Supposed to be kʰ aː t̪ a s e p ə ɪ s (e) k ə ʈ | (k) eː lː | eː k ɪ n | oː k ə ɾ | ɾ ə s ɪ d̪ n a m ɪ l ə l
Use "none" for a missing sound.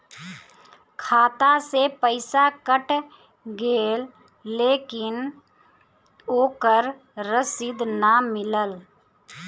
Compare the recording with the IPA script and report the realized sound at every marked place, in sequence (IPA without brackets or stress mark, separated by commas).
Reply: a, ɡ